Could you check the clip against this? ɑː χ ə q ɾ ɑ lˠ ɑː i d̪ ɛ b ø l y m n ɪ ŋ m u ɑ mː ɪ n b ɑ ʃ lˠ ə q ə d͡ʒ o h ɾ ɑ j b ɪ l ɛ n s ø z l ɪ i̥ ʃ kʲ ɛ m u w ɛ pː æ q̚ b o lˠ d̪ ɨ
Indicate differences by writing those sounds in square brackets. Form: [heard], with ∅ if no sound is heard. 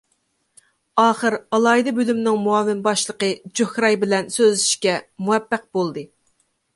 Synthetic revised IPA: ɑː χ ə [∅] ɾ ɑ lˠ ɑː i d̪ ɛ b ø l y m n ɪ ŋ m u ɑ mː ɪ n b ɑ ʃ lˠ ə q ə d͡ʒ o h ɾ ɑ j b ɪ l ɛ n s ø z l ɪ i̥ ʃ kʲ ɛ m u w ɛ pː æ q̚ b o lˠ d̪ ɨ